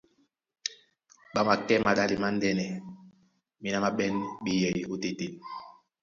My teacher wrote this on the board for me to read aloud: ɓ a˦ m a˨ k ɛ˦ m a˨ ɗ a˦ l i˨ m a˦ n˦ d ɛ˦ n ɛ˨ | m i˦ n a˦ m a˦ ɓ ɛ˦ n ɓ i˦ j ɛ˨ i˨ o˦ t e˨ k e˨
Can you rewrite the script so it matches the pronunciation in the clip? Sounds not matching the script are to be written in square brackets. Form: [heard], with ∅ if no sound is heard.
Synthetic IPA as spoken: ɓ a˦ m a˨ k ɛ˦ m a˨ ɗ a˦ l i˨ m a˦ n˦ d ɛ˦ n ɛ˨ | m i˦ n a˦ m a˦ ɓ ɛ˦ n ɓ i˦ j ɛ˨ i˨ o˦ t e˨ [t] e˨